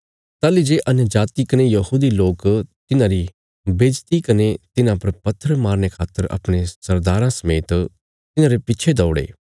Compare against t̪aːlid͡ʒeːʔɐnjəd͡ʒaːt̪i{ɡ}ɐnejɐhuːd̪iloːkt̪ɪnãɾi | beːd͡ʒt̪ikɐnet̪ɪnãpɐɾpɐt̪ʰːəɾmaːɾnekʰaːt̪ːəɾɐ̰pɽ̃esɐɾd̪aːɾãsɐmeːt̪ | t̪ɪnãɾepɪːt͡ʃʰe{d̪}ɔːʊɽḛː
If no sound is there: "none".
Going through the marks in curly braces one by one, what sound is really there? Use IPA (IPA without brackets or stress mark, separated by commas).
k, d̪